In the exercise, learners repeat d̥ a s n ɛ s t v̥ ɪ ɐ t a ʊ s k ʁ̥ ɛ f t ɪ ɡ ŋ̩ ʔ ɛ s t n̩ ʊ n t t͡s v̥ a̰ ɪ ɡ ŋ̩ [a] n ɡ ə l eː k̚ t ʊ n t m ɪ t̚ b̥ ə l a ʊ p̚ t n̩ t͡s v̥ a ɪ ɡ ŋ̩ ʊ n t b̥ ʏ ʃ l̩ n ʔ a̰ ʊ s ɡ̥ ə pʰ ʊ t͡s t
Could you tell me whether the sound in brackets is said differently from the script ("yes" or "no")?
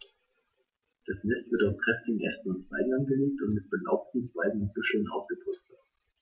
no